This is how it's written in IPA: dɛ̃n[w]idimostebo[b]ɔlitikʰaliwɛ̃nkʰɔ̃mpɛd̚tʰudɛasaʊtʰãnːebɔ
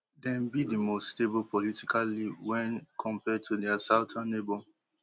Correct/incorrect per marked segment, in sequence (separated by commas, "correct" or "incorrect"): incorrect, incorrect